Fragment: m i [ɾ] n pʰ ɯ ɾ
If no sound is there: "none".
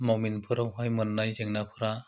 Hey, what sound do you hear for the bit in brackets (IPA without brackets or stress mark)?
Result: none